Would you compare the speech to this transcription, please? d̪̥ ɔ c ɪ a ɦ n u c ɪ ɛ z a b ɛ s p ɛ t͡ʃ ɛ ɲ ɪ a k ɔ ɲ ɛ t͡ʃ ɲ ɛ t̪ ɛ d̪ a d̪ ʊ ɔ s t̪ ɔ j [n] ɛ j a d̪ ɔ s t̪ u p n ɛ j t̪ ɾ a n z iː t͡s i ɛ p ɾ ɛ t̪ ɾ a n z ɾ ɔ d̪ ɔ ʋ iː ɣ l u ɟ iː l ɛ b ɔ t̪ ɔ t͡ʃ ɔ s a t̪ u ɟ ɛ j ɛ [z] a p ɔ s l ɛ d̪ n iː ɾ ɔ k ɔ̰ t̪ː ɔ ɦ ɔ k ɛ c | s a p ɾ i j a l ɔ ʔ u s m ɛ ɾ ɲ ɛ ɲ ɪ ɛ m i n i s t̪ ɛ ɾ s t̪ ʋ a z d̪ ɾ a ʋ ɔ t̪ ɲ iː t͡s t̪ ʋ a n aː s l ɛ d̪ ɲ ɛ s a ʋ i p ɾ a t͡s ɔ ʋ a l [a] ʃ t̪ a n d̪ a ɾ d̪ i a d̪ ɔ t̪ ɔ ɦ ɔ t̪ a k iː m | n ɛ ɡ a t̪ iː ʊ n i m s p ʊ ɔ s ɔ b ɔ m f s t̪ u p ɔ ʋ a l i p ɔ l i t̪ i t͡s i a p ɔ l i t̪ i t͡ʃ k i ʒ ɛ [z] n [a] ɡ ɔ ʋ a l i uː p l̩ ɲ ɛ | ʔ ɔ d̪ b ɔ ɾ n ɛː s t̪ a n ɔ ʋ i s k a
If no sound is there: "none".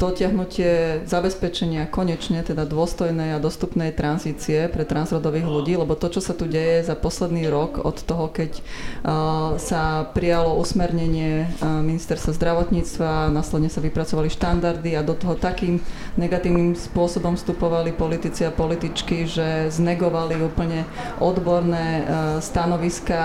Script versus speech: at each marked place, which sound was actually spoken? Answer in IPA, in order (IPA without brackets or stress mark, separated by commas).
n, z, i, z, ɛ